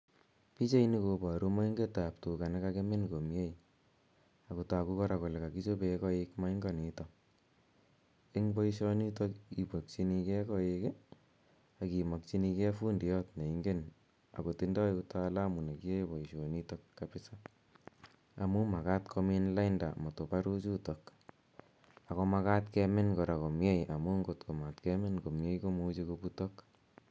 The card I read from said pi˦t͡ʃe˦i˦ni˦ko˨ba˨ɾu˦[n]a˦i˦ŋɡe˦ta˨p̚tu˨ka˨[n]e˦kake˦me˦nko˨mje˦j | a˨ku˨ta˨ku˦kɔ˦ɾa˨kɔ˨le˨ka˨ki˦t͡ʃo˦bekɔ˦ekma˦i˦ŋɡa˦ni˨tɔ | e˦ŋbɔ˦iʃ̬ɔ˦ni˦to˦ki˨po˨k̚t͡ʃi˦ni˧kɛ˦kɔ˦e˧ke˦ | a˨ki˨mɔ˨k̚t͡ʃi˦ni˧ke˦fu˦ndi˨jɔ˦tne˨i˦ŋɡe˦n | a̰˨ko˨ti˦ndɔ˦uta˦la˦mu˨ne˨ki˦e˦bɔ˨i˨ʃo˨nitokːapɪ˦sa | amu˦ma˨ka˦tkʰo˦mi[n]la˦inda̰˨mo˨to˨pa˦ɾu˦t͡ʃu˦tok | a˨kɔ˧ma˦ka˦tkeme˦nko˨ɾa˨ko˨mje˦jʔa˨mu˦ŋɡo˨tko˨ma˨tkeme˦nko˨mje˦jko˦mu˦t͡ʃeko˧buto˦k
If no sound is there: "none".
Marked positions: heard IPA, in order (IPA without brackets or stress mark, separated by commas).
m, n, n